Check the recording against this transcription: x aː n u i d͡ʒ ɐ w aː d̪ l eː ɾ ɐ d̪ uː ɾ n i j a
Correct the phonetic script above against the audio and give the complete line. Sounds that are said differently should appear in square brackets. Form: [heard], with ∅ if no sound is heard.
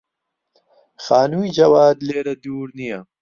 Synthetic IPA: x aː n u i d͡ʒ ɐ w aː d̪ l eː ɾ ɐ d̪ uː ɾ n i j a